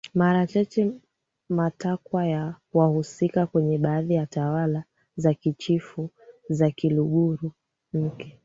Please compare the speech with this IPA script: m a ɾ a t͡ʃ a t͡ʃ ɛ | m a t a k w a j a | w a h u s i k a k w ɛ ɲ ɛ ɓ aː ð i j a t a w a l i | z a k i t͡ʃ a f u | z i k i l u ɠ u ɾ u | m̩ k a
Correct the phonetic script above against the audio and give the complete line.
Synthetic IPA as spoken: m a ɾ a t͡ʃ a t͡ʃ ɛ | m a t a k w a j a | w a h u s i k a k w ɛ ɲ ɛ ɓ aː ð i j a t a w a l a | z a k i t͡ʃ i f u | z a k i l u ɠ u ɾ u | m̩ k ɛ